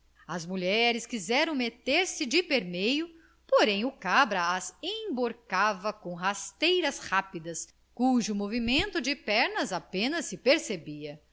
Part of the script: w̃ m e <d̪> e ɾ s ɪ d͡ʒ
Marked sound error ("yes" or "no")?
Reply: yes